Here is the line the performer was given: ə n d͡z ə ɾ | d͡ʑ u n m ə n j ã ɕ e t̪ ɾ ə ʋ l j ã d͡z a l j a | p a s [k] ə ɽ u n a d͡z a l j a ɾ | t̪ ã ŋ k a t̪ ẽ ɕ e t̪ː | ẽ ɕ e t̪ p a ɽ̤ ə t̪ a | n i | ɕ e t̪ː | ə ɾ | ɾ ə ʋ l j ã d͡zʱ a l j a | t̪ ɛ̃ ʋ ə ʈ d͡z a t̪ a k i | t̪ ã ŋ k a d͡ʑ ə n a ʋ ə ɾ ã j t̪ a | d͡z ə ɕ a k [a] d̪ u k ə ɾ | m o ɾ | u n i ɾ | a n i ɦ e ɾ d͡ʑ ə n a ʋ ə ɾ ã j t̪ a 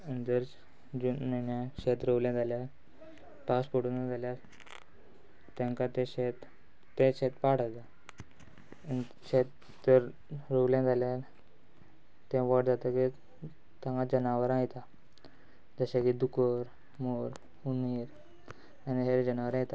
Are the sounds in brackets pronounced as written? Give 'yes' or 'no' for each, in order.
no, no

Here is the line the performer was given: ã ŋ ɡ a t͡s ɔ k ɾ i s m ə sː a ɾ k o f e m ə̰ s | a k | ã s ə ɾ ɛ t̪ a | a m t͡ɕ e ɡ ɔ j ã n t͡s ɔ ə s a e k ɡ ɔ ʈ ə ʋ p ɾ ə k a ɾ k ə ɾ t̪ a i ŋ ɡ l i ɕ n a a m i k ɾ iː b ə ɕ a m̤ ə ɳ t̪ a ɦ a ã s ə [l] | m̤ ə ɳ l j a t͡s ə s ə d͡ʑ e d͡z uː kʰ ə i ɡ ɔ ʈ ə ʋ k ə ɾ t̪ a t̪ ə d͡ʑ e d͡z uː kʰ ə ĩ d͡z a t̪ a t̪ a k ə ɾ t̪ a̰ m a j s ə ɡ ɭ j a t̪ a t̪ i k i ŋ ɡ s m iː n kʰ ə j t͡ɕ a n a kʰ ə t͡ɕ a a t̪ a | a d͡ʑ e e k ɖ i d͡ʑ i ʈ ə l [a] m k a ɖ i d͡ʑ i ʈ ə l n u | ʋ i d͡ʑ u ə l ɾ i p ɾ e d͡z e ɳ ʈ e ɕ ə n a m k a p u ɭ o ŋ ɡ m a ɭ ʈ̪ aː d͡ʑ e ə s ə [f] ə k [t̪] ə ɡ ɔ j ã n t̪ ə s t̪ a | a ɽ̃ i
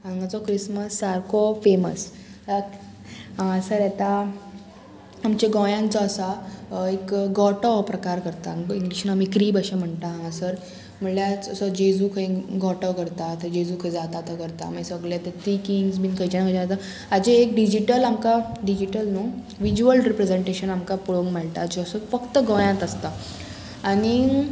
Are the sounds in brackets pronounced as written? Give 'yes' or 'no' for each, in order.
no, yes, yes, yes

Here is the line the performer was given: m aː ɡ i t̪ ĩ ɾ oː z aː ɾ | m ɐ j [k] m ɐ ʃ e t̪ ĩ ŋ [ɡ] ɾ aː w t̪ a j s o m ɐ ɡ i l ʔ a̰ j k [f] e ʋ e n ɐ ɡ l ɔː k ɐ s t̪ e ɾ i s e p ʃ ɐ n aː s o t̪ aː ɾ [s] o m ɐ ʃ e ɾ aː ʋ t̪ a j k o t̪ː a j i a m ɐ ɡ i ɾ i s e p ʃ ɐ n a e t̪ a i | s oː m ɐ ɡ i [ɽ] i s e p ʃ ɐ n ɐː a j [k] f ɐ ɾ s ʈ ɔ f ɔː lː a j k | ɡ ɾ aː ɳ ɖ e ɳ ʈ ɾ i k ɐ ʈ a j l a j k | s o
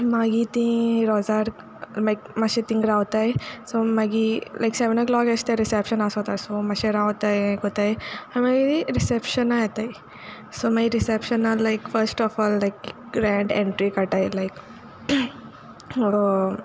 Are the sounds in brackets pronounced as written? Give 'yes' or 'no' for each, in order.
yes, yes, no, yes, no, yes

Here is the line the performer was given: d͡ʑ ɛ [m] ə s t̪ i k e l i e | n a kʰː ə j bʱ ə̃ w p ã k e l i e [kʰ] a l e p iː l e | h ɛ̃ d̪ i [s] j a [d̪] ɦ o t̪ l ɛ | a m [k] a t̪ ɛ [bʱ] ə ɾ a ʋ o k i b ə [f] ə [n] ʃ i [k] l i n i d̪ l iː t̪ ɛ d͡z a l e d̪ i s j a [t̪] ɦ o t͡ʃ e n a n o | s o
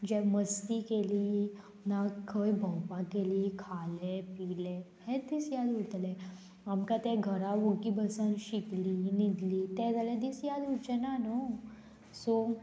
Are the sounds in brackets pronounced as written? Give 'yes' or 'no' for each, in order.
yes, yes, yes, yes, yes, no, no, yes, yes, no

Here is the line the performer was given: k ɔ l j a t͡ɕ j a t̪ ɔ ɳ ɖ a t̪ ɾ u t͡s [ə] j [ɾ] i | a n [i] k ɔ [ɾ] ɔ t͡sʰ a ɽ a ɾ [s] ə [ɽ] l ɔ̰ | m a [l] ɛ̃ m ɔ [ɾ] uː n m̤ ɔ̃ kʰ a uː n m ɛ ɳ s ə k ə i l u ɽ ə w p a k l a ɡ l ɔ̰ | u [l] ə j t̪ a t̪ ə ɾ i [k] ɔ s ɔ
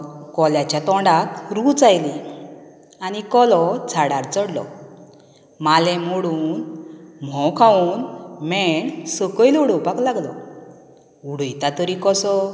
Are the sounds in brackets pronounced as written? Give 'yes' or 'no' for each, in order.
no, no, yes, no, no, yes, yes, no, no, yes

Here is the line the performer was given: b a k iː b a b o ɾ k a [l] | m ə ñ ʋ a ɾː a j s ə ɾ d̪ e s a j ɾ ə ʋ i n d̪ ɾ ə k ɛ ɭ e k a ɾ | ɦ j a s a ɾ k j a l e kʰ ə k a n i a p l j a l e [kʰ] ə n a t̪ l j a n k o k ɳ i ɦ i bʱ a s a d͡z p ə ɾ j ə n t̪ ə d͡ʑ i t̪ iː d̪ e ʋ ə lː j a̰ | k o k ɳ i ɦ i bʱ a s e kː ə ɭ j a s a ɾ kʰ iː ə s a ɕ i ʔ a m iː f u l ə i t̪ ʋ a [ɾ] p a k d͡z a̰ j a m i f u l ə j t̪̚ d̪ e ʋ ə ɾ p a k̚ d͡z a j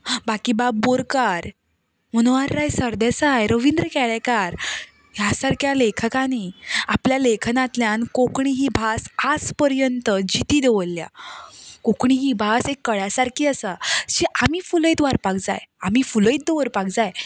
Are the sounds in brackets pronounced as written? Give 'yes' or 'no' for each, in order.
no, yes, yes

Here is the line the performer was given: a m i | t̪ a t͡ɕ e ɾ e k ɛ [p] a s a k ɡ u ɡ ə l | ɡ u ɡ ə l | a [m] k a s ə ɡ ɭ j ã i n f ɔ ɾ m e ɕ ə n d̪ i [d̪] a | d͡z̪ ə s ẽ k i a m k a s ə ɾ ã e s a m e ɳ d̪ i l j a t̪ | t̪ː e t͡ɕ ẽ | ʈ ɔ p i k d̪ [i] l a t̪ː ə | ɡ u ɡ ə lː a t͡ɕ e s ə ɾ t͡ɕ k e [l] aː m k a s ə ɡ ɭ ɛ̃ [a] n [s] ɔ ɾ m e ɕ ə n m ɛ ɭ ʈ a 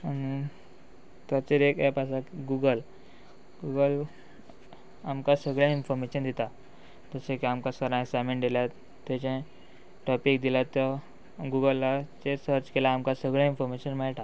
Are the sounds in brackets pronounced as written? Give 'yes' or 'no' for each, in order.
yes, yes, no, yes, yes, no, no

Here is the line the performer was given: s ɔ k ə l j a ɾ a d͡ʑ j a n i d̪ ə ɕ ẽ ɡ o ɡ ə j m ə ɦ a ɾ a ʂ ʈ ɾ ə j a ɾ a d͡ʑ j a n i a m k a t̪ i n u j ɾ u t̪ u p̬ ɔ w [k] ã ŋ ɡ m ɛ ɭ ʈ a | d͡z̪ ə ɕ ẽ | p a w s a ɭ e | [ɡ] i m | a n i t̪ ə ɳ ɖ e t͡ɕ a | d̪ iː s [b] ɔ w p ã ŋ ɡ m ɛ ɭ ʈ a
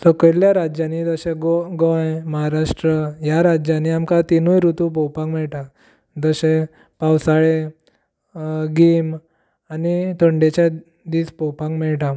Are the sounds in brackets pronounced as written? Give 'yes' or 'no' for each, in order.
no, yes, no

